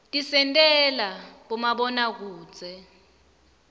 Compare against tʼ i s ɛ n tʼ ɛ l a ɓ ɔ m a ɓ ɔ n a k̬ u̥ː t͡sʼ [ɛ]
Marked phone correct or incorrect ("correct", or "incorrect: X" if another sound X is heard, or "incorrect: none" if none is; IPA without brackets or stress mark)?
correct